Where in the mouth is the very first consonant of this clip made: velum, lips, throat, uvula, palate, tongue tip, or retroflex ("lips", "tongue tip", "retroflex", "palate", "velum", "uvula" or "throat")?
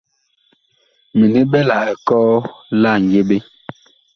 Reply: lips